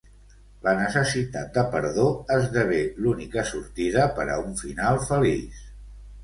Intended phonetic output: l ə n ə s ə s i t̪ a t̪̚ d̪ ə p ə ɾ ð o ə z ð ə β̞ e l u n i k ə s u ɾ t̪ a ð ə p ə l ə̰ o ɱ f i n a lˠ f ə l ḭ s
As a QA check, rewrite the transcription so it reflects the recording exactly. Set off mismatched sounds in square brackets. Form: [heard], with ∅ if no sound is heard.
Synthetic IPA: l ə n ə s ə s i t̪ a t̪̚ d̪ ə p ə ɾ ð o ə z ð ə β̞ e l u n i k ə s u ɾ t̪ [i] ð ə p ə [ɾ] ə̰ [u] ɱ f i n a lˠ f ə l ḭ s